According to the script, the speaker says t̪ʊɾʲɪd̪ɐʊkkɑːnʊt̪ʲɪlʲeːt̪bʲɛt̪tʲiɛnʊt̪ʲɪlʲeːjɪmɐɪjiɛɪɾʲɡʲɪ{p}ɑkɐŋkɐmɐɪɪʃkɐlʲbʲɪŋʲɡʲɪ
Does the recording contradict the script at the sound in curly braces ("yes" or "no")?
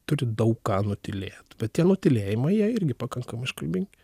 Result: no